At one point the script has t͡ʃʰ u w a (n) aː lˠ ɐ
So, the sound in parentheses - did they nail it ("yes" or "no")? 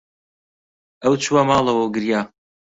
no